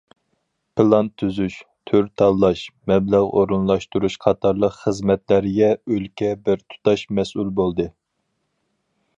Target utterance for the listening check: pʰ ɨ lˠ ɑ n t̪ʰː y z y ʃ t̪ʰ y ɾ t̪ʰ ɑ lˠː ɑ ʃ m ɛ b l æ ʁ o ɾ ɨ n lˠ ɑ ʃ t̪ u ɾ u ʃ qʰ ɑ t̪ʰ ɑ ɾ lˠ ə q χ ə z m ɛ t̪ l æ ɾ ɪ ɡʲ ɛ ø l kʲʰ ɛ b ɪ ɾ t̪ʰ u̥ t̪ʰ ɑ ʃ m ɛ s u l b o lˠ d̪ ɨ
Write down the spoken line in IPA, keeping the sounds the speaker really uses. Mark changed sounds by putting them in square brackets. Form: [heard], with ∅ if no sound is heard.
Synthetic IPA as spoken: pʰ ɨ lˠ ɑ n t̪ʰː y z y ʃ t̪ʰ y ɾ t̪ʰ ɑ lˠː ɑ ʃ m ɛ b l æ ʁ o ɾ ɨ n lˠ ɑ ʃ t̪ u ɾ u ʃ qʰ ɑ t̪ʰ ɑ ɾ lˠ ə q χ ə z m ɛ t̪ l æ ɾ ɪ ɡʲ ɛ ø l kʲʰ ɛ b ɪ ɾ t̪ʰ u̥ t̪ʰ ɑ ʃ m ɛ s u l b o lˠ d̪ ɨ